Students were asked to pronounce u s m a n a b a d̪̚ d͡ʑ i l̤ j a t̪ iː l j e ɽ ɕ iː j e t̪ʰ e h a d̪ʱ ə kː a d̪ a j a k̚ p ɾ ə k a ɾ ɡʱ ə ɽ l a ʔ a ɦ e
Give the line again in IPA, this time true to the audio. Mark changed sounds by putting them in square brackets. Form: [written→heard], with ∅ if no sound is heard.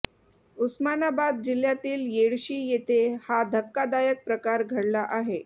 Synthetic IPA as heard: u s m a n a b a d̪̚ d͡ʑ i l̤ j a t̪ iː l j e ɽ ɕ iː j e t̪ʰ e h a d̪ʱ ə kː a d̪ a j [a→ə] k̚ p ɾ ə k a ɾ ɡʱ ə ɽ l a ʔ a ɦ e